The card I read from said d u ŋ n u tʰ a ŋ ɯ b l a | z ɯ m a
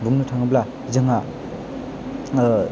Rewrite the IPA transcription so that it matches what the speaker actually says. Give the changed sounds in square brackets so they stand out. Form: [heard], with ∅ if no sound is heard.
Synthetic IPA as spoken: [b] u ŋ n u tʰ a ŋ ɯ b l a | z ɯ [ŋ] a